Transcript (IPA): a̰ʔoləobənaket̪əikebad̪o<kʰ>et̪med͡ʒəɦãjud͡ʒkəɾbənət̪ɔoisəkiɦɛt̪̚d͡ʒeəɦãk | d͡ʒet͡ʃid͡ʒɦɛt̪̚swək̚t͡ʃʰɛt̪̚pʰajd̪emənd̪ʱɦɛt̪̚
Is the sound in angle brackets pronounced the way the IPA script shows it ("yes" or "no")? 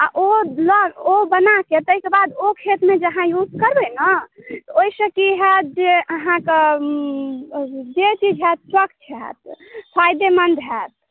yes